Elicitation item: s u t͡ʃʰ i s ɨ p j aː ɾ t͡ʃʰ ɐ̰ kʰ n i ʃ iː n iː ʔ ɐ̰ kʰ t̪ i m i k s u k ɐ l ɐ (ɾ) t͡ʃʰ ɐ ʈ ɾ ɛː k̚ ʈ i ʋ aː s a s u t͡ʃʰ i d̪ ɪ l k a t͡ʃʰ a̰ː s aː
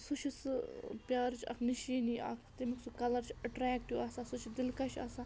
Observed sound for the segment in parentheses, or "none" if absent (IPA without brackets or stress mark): ɾ